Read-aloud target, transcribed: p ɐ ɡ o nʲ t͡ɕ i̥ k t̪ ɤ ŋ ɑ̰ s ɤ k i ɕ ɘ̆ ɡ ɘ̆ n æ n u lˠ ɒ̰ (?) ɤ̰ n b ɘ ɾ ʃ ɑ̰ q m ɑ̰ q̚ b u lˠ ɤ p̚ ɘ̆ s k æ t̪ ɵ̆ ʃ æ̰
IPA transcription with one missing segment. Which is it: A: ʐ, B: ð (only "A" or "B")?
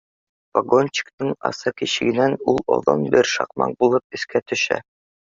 B